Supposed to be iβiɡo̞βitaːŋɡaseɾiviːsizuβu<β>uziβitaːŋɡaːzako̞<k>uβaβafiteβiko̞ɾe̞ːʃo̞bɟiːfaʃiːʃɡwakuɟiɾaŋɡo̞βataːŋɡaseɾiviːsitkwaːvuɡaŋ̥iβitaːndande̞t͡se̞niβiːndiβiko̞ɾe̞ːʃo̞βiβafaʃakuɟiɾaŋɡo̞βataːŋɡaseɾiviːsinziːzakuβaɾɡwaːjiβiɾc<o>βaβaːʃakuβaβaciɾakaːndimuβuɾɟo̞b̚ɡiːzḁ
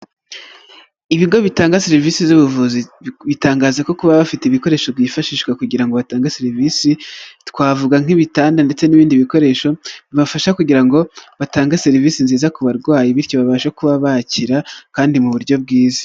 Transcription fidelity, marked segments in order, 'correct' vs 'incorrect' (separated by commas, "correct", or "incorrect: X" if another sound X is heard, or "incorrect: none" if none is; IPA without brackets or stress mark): incorrect: v, correct, correct